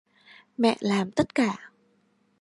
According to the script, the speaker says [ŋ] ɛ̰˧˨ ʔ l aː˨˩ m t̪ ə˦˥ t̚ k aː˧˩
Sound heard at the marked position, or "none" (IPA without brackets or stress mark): m